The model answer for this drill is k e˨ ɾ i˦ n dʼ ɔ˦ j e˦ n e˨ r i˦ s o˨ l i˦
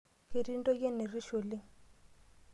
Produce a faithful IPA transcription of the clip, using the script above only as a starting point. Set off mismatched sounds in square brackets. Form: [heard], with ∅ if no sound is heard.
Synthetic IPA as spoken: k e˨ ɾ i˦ n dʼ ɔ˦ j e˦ n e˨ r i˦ [ʃ] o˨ l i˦